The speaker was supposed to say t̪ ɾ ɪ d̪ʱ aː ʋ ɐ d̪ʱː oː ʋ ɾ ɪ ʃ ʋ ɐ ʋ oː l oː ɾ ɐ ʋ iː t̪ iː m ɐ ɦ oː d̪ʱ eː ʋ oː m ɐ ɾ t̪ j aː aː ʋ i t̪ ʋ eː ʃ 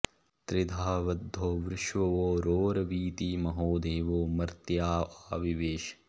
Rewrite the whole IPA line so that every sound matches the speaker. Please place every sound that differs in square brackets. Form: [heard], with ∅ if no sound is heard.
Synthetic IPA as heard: t̪ ɾ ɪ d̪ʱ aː ʋ ɐ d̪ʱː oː ʋ ɾ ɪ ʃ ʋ ɐ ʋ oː [ɾ] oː ɾ ɐ ʋ iː t̪ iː m ɐ ɦ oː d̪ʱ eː ʋ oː m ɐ ɾ t̪ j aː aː ʋ i [∅] ʋ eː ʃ